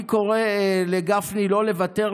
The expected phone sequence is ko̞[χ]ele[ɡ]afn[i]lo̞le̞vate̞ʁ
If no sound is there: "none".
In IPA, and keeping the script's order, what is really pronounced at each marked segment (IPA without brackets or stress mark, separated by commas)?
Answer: ʁ, ɡ, i